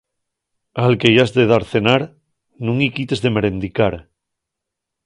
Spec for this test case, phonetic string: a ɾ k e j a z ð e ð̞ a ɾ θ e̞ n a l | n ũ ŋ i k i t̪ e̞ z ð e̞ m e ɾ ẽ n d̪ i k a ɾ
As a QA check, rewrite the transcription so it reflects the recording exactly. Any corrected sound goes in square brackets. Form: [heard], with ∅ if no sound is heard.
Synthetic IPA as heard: a [l] k e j a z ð e ð̞ a ɾ θ e̞ n a [ɾ] | n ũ ŋ i k i t̪ e̞ z ð e̞ m e ɾ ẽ n d̪ i k a ɾ